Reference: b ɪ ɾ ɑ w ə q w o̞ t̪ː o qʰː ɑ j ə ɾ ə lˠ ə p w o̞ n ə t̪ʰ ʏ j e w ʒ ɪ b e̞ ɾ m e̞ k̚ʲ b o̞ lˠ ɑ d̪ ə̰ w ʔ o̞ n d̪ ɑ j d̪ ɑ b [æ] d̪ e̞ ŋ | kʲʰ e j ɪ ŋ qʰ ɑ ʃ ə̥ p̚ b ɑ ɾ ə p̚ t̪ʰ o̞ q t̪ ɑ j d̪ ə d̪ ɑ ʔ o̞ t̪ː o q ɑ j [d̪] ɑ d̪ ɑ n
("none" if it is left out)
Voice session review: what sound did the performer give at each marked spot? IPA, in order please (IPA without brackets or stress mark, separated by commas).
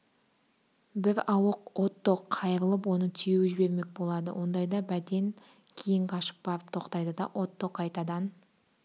æ, t̪